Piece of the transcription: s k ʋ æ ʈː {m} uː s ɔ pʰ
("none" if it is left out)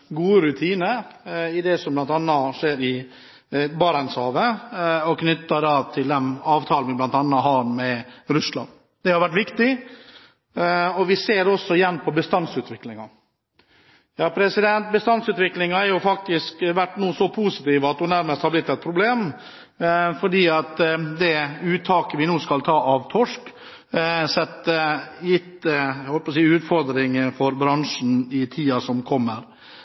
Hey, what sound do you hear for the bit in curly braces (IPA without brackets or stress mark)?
n